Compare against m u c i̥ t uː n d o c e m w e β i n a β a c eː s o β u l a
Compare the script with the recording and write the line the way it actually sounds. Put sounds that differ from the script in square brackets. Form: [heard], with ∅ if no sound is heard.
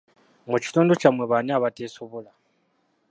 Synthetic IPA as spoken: m u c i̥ t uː n d o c [a] m w e β [a] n a β a [t] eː s o β [o] l a